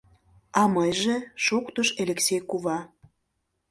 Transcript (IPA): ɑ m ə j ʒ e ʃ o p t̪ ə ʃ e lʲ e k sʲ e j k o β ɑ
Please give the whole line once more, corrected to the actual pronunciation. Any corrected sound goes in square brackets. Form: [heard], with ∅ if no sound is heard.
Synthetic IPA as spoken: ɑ m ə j ʒ e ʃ o [k] t̪ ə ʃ e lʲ e k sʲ e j k [u] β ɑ